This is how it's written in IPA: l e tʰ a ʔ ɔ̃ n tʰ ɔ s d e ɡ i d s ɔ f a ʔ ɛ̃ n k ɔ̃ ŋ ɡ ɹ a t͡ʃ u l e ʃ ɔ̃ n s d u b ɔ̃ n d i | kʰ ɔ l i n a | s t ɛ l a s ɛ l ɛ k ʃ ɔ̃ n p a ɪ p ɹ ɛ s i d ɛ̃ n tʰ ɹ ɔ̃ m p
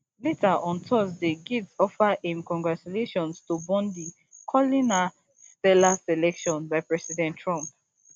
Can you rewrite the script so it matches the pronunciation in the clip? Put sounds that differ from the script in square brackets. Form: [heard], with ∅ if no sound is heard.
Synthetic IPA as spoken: l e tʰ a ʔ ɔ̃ n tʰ ɔ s d e ɡ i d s ɔ f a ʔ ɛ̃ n k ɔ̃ ŋ ɡ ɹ a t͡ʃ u l e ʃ ɔ̃ n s [t] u b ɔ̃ n d i | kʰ ɔ l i n a | s t ɛ l a s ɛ l ɛ k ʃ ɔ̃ n [b] a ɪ p ɹ ɛ s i d ɛ̃ n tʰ ɹ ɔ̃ m p